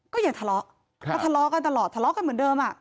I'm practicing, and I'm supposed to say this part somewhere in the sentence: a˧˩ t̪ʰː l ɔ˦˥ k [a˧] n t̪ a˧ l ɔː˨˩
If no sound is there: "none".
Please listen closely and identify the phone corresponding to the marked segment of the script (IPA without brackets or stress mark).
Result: a˧